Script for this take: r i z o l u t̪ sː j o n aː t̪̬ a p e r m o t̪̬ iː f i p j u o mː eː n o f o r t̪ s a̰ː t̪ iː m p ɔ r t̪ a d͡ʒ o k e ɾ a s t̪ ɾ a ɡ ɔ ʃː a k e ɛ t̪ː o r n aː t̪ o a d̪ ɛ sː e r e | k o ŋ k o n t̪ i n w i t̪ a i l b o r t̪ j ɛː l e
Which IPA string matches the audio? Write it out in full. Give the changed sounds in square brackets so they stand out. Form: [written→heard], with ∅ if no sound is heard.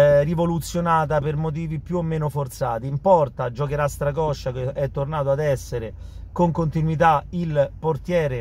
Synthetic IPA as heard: r i [z→v] o l u t̪ sː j o n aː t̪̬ a p e r m o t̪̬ iː [f→v] i p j u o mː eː n o f o r t̪ s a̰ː t̪ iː m p ɔ r t̪ a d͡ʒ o k e ɾ a s t̪ ɾ a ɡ ɔ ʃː a k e ɛ t̪ː o r n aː t̪ o a d̪ ɛ sː e [r→ɾ] e | k o ŋ k o n t̪ i n w i t̪ a i l [b→p] o r t̪ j ɛː [l→ɾ] e

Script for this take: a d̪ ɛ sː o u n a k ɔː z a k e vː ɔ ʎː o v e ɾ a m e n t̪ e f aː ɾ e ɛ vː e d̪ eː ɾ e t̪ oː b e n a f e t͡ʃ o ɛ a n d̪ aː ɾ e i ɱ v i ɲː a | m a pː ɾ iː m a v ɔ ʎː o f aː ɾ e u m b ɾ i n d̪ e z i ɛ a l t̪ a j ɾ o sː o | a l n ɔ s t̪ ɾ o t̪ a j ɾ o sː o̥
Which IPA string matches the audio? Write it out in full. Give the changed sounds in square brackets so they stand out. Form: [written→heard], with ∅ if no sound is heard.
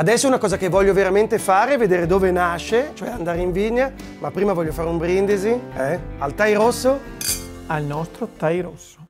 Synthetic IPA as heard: a d̪ ɛ sː o u n a k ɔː z a k e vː ɔ ʎː o v e ɾ a m e n t̪ e f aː ɾ e ɛ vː e d̪ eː ɾ e [t̪→d̪] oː [b→v] e n a [f→ʃ] e t͡ʃ o ɛ a n d̪ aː ɾ e i ɱ v i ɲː a | m a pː ɾ iː m a v ɔ ʎː o f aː ɾ e u m b ɾ i n d̪ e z i ɛ a l t̪ a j ɾ o sː o | a l n ɔ s t̪ ɾ o t̪ a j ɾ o sː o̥

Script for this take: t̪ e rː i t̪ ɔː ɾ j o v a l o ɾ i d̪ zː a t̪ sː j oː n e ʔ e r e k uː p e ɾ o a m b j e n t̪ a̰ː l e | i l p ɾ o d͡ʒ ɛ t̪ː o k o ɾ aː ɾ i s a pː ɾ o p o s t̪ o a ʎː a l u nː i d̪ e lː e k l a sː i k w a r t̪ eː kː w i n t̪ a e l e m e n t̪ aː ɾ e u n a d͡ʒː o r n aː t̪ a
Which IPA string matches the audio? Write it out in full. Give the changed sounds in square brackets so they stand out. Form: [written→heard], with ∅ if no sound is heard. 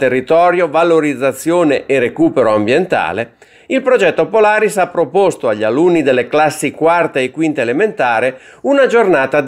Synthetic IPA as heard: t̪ e rː i t̪ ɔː ɾ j o v a l o ɾ i d̪ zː a t̪ sː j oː n e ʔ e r e k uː p e ɾ o a m b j e n t̪ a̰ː l e | i l p ɾ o d͡ʒ ɛ t̪ː o [k→p] o [ɾ→l] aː ɾ i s a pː ɾ o p o s t̪ o a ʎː a l u nː i d̪ e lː e k l a sː i k w a r t̪ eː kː w i n t̪ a e l e m e n t̪ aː ɾ e u n a [d͡ʒː→d͡ʒ] o r n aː t̪ a

